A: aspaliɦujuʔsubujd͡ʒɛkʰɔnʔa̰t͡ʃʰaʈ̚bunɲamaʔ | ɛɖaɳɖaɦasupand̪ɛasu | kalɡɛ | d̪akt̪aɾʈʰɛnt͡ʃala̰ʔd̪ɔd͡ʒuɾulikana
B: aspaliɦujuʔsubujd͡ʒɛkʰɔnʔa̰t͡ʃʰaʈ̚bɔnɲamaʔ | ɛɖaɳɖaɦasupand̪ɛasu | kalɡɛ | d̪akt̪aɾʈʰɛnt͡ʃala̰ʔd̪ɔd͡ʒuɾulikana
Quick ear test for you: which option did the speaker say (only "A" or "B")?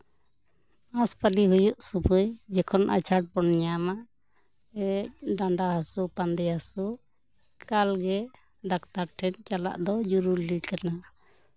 B